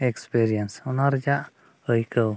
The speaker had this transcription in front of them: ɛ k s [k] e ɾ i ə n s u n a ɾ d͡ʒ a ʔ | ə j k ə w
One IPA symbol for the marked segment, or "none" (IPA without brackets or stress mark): p